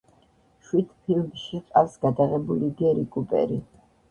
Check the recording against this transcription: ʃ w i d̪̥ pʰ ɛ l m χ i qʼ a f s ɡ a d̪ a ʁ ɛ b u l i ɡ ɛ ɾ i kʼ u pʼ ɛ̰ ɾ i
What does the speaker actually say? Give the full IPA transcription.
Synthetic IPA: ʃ w i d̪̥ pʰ i l m ʃ i qʼ a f s ɡ a d̪ a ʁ ɛ b u l i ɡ ɛ ɾ i kʼ u pʼ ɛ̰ ɾ i